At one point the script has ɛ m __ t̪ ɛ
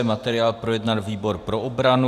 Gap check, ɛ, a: a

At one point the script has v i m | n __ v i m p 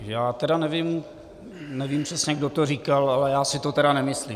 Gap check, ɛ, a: ɛ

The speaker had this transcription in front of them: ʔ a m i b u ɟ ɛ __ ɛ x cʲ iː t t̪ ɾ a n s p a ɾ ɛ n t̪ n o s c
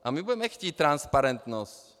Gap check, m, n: m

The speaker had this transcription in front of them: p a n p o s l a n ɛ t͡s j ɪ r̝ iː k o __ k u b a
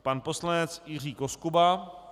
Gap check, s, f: s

